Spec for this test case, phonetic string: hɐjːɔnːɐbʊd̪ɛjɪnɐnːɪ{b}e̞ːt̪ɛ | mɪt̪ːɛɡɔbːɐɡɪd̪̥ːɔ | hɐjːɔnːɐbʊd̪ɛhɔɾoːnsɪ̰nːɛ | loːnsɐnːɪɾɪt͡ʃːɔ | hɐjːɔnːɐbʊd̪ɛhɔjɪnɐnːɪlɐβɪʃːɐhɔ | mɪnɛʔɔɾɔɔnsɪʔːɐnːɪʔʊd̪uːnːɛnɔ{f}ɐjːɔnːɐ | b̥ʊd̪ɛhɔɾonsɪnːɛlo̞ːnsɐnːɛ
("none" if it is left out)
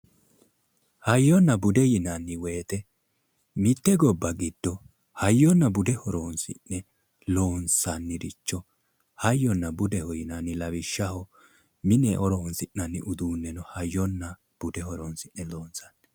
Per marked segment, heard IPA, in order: w, h

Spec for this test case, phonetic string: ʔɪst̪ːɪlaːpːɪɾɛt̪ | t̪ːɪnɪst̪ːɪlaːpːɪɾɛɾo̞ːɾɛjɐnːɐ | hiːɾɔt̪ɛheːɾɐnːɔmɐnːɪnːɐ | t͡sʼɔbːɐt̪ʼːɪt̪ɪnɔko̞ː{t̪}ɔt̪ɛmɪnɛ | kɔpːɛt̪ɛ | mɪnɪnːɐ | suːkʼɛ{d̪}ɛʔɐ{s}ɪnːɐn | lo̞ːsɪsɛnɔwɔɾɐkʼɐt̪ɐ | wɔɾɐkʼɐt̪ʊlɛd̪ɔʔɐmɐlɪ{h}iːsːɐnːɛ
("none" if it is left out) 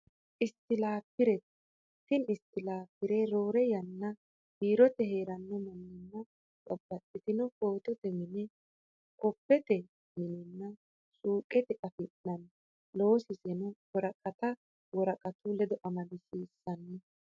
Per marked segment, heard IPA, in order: t̪, t̪, f, s

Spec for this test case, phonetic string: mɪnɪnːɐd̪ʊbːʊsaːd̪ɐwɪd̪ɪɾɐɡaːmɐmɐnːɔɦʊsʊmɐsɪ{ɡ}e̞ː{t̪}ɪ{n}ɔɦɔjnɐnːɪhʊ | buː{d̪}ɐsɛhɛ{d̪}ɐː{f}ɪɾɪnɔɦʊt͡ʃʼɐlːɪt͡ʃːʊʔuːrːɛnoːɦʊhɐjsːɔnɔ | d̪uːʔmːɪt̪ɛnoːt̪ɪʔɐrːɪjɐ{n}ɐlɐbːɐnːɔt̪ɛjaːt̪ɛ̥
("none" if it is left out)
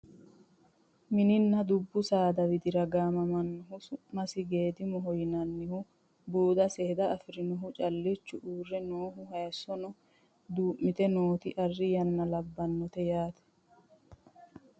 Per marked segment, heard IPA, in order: ɡ, d̪, m, d̪, d̪, f, nː

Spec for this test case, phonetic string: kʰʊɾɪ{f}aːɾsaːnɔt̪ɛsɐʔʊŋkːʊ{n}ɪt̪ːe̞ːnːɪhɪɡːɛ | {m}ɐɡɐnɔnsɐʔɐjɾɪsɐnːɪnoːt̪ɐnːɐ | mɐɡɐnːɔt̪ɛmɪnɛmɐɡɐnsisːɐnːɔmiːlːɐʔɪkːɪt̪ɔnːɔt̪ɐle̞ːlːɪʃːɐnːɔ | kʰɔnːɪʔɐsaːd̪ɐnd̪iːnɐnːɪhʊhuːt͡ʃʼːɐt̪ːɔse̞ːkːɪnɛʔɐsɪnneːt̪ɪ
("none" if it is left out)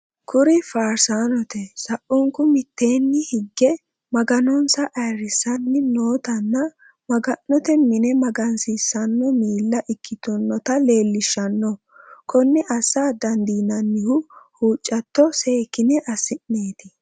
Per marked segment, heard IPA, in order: f, m, m

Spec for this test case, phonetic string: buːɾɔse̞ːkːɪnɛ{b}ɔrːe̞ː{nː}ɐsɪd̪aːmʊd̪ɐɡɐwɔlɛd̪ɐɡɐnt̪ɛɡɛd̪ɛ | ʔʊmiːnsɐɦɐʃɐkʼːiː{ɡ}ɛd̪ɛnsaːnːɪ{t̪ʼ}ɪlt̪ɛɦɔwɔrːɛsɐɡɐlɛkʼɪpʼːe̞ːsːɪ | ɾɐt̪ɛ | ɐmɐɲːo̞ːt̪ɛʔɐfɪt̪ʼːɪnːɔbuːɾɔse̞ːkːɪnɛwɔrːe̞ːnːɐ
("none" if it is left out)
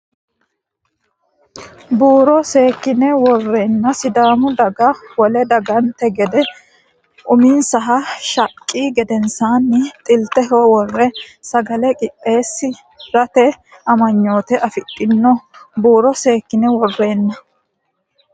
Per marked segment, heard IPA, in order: w, nː, ɡ, t̪ʼ

